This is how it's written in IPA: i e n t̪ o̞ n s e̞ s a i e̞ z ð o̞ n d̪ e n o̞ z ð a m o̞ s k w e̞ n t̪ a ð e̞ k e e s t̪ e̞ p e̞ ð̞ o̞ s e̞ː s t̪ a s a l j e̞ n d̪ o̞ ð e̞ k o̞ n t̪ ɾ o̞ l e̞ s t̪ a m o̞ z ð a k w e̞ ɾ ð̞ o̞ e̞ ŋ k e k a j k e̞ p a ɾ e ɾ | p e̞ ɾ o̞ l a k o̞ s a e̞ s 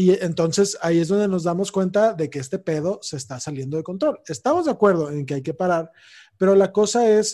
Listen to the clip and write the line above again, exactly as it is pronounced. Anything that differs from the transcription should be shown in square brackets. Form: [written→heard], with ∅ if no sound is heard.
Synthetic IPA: i e n t̪ o̞ n s e̞ s a i e̞ z ð o̞ n d̪ e n o̞ z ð a m o̞ s k w e̞ n t̪ a ð e̞ k e e s t̪ e̞ p e̞ ð̞ o̞ s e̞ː s t̪ a s a l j e̞ n d̪ o̞ ð e̞ k o̞ n t̪ ɾ o̞ l e̞ s t̪ a m o̞ z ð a k w e̞ ɾ ð̞ o̞ e̞ ŋ k e [k→∅] a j k e̞ p a ɾ [e→a] ɾ | p e̞ ɾ o̞ l a k o̞ s a e̞ s